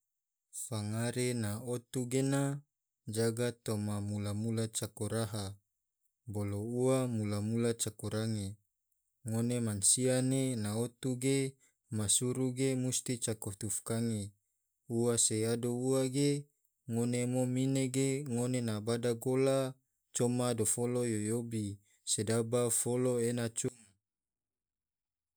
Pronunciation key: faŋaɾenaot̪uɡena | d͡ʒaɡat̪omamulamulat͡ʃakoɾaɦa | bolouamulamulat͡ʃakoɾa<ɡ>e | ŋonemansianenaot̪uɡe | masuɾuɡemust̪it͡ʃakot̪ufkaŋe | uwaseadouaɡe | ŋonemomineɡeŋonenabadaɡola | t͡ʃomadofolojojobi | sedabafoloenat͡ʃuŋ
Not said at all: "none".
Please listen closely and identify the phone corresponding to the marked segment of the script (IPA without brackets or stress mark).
ŋ